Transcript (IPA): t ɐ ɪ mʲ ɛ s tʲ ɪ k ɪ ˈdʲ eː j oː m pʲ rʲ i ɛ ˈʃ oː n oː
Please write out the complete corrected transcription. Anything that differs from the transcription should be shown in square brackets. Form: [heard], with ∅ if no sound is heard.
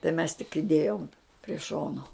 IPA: t ɐ ɪ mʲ ɛ s tʲ ɪ k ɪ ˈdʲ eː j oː m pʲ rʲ i ɛ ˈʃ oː n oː